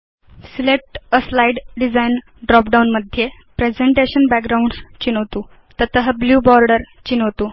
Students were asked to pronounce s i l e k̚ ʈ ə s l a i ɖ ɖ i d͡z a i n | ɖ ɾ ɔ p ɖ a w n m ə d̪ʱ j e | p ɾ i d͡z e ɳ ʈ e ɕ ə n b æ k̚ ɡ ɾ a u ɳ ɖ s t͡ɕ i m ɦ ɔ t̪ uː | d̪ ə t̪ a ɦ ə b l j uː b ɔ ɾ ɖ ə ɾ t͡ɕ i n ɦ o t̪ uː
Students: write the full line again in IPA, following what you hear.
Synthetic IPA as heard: s i l e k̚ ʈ ə s l a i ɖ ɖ i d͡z a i n | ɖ ɾ ɔ p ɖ a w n m ə d̪ʱ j e | p ɾ e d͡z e ɳ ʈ e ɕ ə n b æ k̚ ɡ ɾ a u ɳ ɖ s t͡ɕ i n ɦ o t̪ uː | t̪ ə t̪ ə ɦ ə b l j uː b ɔ ɾ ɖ ə ɾ t͡ɕ i n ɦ o t̪ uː